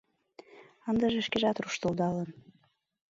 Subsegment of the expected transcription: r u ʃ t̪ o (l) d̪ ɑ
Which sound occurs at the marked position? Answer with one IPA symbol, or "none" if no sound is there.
l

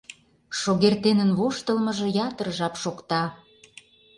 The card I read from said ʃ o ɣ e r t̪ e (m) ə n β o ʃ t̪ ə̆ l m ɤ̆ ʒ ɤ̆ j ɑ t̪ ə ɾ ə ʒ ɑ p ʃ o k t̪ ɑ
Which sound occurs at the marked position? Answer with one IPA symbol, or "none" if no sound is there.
n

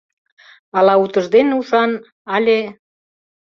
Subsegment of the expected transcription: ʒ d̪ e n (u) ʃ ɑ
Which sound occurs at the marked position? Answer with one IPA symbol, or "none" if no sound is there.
u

